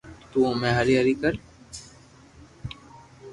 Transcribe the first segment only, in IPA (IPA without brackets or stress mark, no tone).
t̪